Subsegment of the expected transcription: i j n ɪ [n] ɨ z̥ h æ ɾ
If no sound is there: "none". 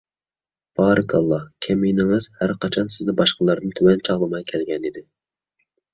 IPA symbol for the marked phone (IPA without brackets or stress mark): ŋ